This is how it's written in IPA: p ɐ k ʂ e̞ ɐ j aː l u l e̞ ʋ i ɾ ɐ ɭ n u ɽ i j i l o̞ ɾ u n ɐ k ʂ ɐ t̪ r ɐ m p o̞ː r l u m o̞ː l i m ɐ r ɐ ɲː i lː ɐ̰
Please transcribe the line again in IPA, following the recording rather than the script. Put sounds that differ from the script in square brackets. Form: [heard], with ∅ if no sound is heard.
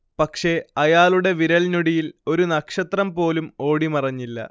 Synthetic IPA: p ɐ k ʂ e̞ ɐ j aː l u [ɽ] e̞ ʋ i ɾ ɐ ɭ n u ɽ i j i l o̞ ɾ u n ɐ k ʂ ɐ t̪ r ɐ m p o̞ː [∅] l u m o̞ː [ɽ] i m ɐ r ɐ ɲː i lː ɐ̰